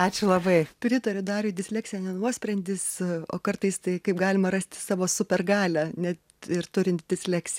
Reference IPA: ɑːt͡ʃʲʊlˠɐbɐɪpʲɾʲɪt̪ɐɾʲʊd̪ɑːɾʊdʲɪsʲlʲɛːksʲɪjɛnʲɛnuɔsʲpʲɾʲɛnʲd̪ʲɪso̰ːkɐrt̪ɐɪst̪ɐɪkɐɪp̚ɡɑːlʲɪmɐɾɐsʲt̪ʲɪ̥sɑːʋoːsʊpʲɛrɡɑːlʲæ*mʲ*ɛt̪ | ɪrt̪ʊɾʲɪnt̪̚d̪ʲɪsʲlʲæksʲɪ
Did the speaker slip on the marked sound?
yes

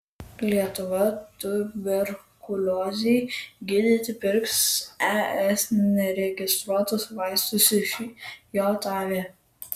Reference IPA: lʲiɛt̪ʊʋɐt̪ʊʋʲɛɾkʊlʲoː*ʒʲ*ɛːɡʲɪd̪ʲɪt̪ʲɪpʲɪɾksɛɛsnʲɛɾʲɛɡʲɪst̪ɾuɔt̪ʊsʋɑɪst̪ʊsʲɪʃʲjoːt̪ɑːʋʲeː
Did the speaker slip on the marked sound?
yes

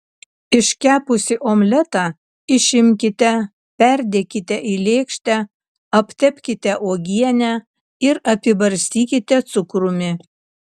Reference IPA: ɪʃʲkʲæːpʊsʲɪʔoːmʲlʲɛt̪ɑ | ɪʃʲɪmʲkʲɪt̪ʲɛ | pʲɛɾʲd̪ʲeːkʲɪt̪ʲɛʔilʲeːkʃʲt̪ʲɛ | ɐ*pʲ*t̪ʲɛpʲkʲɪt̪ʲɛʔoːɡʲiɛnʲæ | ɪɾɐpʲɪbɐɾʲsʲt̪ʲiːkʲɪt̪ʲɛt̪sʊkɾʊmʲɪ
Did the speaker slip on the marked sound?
no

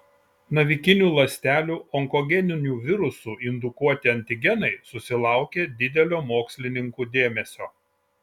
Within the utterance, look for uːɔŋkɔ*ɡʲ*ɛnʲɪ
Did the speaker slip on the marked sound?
no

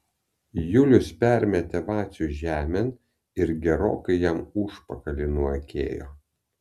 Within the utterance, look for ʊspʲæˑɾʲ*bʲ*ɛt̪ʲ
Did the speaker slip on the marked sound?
yes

